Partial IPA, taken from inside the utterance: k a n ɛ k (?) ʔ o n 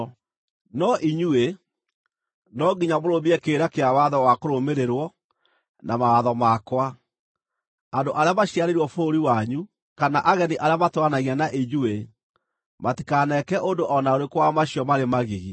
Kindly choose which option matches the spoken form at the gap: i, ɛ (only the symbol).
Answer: ɛ